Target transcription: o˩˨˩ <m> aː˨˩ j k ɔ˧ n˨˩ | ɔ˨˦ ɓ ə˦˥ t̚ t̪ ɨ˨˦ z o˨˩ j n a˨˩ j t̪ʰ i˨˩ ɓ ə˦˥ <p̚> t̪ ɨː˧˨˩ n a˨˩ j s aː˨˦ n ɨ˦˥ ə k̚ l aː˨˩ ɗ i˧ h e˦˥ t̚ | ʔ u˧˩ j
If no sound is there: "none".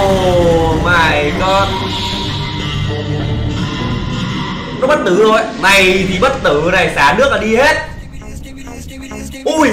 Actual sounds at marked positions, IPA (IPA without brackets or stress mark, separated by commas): m, t̚